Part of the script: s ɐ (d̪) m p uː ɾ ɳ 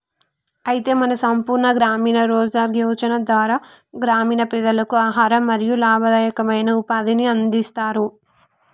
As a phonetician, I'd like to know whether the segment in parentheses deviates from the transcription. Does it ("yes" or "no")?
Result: yes